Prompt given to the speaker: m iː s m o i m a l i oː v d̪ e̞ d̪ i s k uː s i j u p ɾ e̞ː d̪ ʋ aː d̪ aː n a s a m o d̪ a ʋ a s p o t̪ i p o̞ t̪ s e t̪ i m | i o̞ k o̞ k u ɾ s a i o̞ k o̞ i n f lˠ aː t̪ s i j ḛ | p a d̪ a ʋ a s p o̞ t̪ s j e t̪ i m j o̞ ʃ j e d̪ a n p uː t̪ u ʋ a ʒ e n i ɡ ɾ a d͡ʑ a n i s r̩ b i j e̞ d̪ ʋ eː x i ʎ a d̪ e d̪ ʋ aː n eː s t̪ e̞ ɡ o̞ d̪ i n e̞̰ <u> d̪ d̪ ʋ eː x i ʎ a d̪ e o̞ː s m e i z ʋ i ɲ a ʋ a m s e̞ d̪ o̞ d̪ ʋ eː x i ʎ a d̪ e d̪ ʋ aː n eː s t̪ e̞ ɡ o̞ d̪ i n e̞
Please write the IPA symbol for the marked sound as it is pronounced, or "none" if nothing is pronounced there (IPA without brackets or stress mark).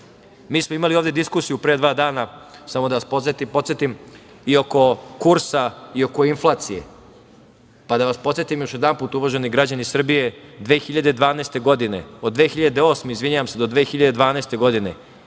o